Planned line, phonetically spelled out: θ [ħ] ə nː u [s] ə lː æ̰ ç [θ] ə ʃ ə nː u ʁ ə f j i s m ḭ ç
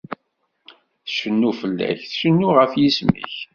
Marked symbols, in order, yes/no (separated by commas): no, no, yes